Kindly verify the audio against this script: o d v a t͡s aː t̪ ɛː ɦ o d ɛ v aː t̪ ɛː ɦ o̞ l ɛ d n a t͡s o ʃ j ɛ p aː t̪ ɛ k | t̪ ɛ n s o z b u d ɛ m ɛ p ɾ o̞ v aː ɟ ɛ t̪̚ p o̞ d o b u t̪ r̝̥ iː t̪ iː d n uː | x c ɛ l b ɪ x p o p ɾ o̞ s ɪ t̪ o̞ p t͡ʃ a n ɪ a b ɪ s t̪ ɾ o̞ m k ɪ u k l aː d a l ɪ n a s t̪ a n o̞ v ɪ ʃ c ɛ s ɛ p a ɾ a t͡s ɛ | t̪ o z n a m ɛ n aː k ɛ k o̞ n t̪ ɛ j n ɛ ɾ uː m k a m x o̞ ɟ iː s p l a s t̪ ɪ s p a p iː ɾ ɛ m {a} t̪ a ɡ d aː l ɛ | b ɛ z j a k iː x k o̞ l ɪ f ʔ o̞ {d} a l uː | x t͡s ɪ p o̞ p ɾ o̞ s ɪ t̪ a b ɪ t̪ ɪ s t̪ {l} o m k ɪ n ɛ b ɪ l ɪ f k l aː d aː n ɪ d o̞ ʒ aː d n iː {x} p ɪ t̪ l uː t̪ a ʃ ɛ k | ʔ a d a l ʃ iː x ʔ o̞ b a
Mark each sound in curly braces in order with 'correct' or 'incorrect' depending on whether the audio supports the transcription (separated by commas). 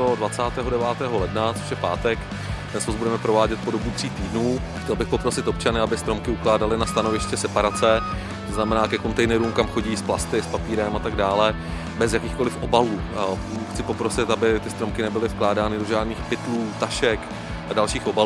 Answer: correct, incorrect, incorrect, correct